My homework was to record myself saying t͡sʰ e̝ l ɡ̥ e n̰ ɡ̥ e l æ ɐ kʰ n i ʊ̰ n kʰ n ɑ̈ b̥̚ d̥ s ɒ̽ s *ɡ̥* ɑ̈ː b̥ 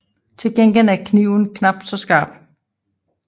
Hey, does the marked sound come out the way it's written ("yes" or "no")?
yes